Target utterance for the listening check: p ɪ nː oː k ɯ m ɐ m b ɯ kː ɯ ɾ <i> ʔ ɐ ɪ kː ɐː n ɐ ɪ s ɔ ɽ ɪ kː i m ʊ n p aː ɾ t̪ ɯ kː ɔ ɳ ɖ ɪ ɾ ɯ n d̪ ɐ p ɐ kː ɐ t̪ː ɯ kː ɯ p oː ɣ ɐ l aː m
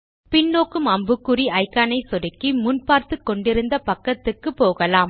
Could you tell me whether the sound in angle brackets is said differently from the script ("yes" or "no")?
no